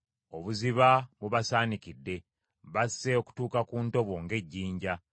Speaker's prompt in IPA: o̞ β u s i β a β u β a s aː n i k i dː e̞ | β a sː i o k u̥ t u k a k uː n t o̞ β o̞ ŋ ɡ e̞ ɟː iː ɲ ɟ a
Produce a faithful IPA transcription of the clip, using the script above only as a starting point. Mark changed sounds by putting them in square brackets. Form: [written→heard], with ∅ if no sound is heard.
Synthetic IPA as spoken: o̞ β u [s→z] i β a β u β a s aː n i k i dː e̞ | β a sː [i→e] o k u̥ t [u→uː] k a k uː n t o̞ β o̞ ŋ ɡ e̞ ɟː iː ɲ ɟ a